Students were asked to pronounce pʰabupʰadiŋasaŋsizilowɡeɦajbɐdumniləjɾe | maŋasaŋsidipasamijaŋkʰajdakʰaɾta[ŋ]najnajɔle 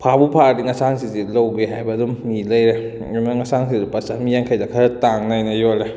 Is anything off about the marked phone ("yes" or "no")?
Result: no